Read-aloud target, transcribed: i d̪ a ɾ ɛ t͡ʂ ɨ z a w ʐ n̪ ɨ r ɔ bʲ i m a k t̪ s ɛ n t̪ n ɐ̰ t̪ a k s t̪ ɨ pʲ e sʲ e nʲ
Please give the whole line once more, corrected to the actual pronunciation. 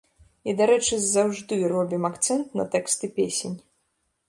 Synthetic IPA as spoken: i d̪ a ɾ ɛ t͡ʂ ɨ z a w ʐ d̪ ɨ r ɔ bʲ i m a k t̪ s ɛ n t̪ n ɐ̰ t̪ ɛ k s t̪ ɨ pʲ e sʲ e nʲ